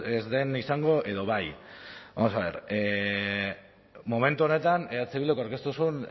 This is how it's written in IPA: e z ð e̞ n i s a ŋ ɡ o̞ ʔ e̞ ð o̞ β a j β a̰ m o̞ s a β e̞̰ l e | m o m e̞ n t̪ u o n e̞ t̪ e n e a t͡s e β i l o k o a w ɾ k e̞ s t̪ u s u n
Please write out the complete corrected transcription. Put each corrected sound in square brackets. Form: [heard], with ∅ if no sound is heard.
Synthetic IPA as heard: e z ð e̞ n i s a ŋ ɡ o̞ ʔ e̞ ð o̞ β a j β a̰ m o̞ s a β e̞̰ [ɾ] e | m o m e̞ n t̪ u o n e̞ t̪ [a] n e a t͡s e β i l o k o a w ɾ k e̞ s t̪ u s u n